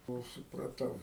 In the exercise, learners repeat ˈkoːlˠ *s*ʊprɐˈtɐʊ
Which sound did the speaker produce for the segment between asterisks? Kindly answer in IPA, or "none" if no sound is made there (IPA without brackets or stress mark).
s